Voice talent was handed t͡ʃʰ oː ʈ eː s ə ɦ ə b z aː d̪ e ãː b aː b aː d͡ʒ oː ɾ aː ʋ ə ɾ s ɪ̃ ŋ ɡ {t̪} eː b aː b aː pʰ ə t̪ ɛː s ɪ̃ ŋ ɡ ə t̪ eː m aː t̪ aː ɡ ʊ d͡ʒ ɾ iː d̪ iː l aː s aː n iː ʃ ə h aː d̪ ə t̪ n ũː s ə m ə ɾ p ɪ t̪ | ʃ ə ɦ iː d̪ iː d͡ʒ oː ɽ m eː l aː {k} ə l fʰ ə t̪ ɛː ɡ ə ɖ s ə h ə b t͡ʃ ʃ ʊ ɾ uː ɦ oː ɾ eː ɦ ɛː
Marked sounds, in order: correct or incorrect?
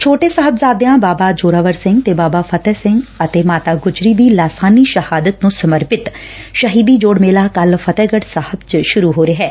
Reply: correct, correct

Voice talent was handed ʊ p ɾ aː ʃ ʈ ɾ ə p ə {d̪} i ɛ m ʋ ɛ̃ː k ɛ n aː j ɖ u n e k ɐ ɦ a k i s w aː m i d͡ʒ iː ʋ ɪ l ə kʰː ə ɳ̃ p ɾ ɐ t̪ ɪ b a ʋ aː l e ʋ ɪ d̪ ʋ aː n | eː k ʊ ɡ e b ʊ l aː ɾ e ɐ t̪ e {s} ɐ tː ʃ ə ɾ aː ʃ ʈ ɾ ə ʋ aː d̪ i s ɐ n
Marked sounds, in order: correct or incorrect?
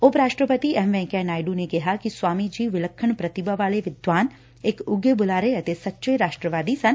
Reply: incorrect, correct

